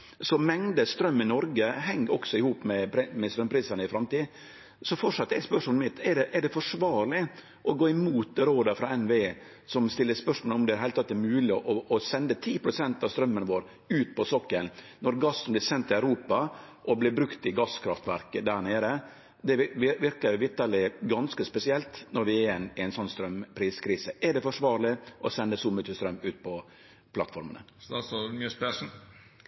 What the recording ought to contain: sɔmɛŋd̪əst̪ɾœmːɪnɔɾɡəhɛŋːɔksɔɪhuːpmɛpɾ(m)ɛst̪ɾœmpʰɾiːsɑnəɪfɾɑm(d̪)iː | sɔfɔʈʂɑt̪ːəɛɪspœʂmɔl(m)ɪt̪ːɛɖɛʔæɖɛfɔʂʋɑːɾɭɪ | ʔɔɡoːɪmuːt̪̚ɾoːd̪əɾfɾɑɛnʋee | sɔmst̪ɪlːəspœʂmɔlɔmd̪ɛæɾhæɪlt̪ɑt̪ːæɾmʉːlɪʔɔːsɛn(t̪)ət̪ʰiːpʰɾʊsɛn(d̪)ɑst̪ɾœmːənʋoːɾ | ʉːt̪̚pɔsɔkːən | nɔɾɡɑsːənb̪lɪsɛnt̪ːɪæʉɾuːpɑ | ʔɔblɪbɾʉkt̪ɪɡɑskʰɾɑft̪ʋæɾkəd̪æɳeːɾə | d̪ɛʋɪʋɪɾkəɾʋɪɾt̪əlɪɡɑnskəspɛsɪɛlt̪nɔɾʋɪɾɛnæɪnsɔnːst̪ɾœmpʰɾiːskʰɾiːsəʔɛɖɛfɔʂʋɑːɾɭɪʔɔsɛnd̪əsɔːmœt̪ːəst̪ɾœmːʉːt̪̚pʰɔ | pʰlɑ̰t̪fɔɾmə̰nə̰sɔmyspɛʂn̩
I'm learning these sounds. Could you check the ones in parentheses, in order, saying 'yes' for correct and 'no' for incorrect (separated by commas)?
yes, no, yes, no, no